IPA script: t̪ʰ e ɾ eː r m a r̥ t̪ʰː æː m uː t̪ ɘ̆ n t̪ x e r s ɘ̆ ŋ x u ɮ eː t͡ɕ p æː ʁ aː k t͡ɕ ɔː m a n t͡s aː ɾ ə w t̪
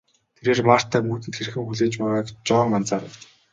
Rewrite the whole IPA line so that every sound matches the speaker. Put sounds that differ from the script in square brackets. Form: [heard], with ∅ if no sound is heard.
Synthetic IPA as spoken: t̪ʰ e ɾ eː r m a r̥ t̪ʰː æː m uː t̪ ɘ̆ n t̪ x e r [x] ɘ̆ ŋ x u ɮ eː t͡ɕ p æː ʁ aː k t͡ɕ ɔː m a n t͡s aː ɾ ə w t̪